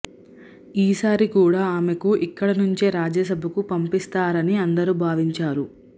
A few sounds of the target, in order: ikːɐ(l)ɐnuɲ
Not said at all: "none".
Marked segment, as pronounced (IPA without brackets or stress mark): ɽ